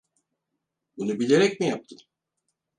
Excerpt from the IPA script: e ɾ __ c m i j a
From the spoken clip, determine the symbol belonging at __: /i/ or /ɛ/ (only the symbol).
ɛ